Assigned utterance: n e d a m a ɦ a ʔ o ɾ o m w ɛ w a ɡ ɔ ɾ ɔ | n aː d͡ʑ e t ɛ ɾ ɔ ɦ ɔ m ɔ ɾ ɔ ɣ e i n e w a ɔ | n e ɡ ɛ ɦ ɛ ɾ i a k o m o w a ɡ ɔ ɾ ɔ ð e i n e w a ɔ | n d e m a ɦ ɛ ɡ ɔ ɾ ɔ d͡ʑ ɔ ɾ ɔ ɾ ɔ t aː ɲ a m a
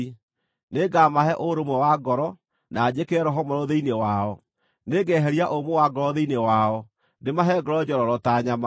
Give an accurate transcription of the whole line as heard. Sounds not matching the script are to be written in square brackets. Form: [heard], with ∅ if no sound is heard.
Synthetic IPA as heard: n e [ɡ] a m a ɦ [ɛ] ʔ o ɾ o m w ɛ w a ɡ ɔ ɾ ɔ | n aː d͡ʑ e [k] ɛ ɾ ɔ ɦ ɔ m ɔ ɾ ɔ [ð] e i n e w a ɔ | n e ɡ ɛ ɦ ɛ ɾ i a [ʔ] o m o w a ɡ ɔ ɾ ɔ ð e i n e w a ɔ | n d e m a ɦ ɛ ɡ ɔ ɾ ɔ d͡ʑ ɔ ɾ ɔ ɾ ɔ t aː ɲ a m a